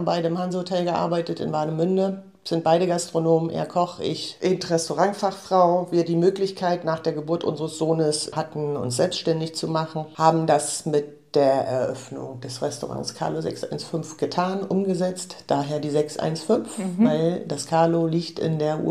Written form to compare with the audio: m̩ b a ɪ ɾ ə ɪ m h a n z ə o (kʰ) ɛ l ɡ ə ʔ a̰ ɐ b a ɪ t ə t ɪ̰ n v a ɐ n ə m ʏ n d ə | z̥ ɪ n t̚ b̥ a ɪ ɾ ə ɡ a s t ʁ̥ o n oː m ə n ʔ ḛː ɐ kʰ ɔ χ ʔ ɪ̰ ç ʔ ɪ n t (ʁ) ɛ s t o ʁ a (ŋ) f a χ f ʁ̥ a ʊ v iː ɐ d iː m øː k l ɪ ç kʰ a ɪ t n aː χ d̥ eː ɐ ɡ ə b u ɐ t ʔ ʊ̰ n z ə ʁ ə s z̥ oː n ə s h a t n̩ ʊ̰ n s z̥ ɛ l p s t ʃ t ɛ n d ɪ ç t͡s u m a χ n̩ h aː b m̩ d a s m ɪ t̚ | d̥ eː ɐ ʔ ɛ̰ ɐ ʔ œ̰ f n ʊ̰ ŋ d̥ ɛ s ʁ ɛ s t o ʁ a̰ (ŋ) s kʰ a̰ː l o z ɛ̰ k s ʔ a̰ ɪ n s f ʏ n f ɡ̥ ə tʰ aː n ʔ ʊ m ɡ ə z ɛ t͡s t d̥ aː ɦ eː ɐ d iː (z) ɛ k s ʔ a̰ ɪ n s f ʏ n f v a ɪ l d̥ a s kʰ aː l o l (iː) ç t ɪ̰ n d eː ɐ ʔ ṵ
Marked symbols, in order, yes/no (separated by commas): no, yes, yes, yes, yes, yes